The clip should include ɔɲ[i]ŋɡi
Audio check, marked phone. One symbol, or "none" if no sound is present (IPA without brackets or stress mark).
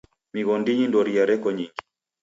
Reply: i